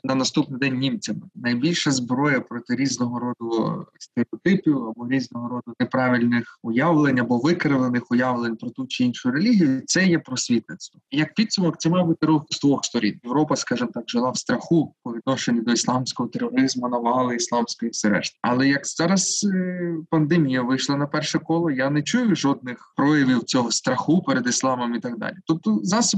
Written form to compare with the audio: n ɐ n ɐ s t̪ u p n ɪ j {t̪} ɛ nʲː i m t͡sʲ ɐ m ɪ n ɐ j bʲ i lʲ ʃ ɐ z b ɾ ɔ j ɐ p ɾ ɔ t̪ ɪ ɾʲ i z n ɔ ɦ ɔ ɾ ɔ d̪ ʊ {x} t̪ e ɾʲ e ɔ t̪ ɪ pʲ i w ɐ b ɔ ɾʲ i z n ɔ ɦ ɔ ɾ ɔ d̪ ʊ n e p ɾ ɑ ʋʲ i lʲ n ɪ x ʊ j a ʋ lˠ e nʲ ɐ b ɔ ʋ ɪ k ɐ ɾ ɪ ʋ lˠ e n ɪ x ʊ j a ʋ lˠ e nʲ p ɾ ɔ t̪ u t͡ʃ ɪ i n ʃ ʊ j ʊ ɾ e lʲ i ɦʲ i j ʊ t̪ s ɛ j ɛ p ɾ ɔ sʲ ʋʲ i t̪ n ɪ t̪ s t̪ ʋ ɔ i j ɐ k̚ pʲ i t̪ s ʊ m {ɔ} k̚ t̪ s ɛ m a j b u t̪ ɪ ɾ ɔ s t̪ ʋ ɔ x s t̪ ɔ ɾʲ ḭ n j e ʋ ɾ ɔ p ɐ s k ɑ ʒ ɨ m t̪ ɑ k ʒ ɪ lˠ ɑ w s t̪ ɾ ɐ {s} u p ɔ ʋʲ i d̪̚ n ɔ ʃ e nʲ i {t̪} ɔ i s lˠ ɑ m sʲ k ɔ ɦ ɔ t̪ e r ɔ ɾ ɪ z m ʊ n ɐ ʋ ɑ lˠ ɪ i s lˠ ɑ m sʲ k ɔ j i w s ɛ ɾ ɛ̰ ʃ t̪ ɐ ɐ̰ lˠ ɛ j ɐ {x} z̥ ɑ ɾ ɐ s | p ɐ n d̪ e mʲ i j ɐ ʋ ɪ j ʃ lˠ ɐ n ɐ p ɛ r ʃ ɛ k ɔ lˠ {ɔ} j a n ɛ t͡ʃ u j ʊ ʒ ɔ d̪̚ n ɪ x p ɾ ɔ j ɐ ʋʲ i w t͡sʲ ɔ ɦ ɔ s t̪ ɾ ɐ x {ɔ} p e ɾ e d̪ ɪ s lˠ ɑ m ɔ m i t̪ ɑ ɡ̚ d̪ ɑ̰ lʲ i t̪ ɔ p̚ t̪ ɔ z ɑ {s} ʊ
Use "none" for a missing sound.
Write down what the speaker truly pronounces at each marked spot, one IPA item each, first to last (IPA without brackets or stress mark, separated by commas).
d̪, s, ɔ, x, d̪, k, ɔ, u, s